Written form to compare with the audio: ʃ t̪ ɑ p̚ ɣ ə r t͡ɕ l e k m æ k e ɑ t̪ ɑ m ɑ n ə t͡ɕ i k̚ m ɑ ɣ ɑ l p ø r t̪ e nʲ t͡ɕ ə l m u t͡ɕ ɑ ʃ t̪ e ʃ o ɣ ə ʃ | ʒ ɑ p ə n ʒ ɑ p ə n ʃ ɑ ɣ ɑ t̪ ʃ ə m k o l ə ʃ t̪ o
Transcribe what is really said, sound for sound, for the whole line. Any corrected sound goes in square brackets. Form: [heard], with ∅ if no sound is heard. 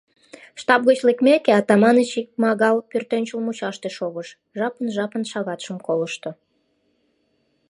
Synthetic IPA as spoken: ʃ t̪ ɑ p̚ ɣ ə [∅] t͡ɕ l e k m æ k e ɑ t̪ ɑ m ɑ n ə t͡ɕ i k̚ m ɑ ɣ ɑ l p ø r t̪ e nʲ t͡ɕ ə l m u t͡ɕ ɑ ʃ t̪ e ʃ o ɣ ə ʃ | ʒ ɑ p ə n ʒ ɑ p ə n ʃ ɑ ɣ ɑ t̪ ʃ ə m k o l ə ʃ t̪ o